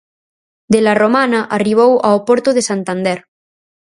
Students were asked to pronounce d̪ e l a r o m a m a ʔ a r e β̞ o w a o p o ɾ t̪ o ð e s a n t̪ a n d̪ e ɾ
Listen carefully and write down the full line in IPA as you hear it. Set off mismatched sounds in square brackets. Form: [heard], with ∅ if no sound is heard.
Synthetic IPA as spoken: d̪ e l a r o m a [n] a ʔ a r [i] β̞ o w a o p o ɾ t̪ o ð e s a n t̪ a n d̪ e ɾ